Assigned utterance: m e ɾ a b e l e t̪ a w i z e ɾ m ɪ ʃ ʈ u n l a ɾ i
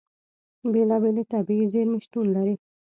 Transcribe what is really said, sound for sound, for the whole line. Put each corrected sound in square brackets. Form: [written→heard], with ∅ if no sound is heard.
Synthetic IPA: [m→b] e [ɾ→l] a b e l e t̪ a [w→b] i z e ɾ m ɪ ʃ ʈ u n l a ɾ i

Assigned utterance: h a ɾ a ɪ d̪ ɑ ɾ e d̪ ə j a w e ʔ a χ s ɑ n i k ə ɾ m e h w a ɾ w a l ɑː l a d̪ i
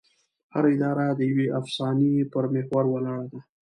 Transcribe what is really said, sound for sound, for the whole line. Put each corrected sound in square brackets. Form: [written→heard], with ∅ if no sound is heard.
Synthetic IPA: h a ɾ a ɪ d̪ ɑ ɾ [e→a] d̪ ə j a w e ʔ a [χ→f] s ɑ n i [k→p] ə ɾ m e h w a ɾ w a l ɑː [l→ɽ] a d̪ [i→a]

